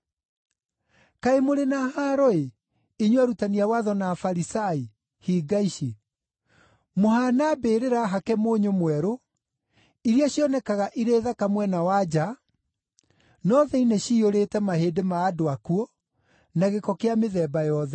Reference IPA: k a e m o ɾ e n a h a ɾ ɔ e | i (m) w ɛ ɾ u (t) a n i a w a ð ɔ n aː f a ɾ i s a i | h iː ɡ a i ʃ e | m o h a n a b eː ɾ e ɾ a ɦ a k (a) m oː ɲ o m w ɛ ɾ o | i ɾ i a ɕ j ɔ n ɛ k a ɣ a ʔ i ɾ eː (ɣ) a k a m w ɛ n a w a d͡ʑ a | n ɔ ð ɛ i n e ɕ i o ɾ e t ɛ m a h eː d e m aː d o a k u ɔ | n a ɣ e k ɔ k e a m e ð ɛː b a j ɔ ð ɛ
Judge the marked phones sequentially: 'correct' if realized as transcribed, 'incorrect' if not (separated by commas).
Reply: incorrect, correct, incorrect, incorrect